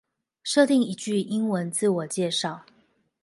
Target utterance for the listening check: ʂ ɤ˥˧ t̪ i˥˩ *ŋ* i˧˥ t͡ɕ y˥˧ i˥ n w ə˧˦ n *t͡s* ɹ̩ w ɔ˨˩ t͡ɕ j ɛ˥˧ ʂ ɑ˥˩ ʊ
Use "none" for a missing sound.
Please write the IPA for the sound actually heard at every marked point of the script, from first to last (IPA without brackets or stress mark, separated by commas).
ŋ, t͡s